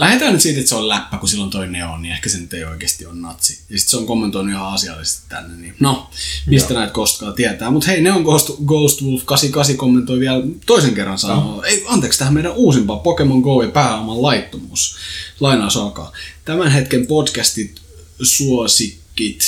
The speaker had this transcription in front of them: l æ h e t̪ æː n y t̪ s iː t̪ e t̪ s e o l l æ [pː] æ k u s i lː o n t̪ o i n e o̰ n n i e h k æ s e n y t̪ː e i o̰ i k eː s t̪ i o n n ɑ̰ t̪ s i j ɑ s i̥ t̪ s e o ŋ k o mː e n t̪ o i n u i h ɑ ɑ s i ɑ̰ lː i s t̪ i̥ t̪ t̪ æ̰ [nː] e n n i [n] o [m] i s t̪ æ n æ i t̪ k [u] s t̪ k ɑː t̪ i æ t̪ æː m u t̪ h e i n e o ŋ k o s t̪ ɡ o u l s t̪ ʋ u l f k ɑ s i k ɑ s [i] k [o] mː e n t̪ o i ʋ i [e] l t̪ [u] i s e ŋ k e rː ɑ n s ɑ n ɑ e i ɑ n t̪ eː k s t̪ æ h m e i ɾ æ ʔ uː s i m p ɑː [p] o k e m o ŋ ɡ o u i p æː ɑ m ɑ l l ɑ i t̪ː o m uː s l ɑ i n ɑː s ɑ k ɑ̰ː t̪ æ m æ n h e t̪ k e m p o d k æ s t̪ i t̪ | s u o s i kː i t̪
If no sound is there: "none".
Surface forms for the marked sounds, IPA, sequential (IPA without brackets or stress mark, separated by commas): pː, nː, n, m, o, i, o, æ, o, p